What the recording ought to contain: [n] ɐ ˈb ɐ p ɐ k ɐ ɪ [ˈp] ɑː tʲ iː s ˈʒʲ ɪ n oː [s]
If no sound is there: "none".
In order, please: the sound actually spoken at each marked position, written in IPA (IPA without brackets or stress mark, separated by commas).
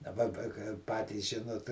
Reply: d, p, t